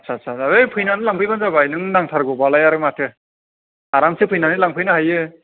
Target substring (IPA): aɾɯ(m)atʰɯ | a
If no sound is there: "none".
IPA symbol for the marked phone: m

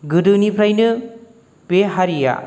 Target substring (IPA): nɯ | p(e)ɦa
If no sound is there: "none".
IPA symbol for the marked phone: e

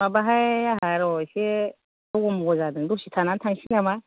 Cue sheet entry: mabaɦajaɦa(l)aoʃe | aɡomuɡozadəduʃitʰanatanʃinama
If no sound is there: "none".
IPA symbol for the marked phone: ɾ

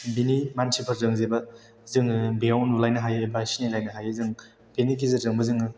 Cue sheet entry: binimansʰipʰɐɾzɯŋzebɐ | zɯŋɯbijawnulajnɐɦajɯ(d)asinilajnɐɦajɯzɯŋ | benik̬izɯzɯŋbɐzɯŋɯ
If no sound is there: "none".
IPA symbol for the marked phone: b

